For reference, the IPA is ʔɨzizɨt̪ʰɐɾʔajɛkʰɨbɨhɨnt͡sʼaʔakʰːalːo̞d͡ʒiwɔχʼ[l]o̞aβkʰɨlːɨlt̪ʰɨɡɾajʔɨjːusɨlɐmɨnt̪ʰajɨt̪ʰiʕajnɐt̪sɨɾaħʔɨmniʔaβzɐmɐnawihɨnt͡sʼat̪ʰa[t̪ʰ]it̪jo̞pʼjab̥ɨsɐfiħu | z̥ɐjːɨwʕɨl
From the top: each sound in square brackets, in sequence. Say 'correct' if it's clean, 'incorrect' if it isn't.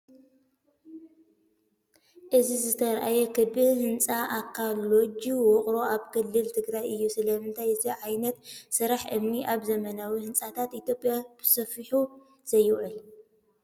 incorrect, incorrect

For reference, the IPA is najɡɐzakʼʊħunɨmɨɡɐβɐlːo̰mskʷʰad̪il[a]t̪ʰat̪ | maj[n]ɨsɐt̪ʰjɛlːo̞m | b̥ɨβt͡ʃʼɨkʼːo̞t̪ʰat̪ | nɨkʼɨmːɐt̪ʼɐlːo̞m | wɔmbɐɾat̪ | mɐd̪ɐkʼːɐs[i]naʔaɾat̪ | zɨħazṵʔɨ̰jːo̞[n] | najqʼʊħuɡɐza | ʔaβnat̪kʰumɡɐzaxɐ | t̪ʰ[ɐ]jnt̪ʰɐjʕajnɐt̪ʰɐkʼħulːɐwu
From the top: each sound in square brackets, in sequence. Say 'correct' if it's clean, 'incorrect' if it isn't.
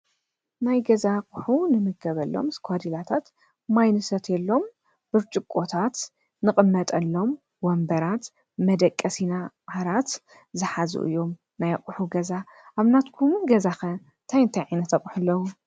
correct, correct, correct, incorrect, incorrect

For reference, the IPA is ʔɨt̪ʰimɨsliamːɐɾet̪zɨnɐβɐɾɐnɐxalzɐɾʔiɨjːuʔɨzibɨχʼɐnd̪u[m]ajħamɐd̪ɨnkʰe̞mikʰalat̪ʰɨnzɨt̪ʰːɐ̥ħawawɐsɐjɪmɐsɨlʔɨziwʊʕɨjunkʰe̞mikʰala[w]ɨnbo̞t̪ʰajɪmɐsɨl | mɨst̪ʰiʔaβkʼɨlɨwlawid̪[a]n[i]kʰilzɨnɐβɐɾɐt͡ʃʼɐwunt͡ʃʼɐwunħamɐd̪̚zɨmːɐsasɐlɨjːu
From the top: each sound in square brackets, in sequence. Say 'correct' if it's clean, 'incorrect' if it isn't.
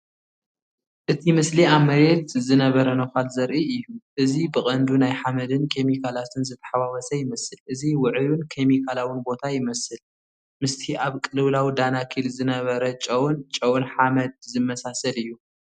incorrect, correct, correct, incorrect

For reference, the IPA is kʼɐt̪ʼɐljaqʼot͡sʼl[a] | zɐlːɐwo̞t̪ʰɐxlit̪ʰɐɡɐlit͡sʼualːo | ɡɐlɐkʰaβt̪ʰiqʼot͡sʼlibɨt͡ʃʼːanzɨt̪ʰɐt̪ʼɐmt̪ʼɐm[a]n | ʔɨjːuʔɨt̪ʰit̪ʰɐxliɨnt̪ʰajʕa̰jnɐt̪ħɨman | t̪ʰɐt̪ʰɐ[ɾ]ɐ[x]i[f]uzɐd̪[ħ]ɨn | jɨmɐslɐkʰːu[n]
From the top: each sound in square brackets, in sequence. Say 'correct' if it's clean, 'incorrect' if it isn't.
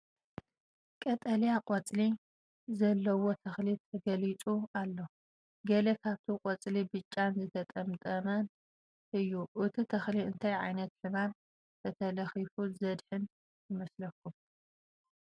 incorrect, incorrect, incorrect, correct, correct, correct, incorrect

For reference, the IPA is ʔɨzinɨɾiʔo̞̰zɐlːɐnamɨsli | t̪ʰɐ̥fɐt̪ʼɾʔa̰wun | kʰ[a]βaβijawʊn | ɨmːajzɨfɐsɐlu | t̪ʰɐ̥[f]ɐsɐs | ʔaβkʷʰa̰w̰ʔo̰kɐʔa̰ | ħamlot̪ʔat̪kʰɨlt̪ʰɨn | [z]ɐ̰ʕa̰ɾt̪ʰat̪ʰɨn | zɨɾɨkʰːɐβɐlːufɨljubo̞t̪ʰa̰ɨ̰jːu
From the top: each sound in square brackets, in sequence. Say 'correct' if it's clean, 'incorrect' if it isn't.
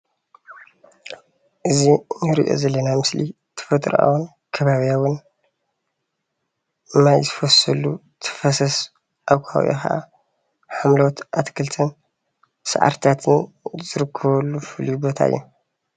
incorrect, correct, incorrect

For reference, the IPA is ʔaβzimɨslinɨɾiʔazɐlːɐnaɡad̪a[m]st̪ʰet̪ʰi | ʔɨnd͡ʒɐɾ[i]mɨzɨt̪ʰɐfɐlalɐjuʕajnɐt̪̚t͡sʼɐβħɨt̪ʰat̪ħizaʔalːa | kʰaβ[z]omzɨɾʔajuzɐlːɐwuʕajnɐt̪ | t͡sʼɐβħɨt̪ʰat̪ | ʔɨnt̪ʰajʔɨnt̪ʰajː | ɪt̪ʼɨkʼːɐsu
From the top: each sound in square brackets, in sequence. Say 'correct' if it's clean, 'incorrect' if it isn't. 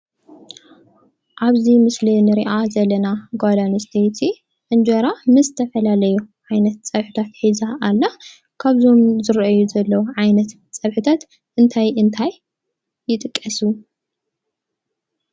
incorrect, incorrect, correct

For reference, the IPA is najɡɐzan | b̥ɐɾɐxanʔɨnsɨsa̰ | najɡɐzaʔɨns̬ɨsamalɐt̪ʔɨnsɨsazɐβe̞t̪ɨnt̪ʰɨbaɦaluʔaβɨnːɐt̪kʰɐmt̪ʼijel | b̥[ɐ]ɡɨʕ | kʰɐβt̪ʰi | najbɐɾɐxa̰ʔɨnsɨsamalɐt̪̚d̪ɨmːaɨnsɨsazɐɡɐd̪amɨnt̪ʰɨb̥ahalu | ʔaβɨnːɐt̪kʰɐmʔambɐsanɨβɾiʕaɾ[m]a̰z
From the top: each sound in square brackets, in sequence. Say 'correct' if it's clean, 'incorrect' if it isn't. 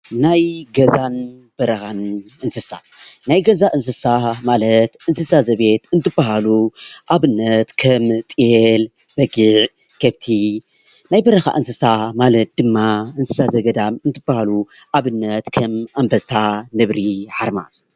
correct, correct

